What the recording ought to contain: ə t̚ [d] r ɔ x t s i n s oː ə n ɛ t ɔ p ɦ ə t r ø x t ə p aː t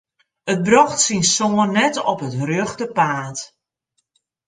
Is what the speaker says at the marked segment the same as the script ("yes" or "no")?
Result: no